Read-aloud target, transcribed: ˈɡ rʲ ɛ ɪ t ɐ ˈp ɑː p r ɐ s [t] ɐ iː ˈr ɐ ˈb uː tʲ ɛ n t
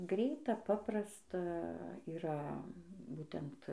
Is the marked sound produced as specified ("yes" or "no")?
yes